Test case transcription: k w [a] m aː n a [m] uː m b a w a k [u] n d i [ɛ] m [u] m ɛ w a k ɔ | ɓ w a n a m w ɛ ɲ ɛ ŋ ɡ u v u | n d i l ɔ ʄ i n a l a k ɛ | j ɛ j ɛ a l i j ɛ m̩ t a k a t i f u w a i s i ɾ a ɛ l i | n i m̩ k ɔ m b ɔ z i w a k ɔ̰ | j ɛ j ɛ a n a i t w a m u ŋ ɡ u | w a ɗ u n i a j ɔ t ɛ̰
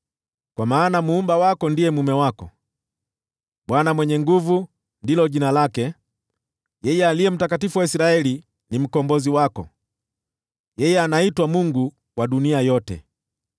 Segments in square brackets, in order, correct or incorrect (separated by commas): correct, correct, incorrect, correct, correct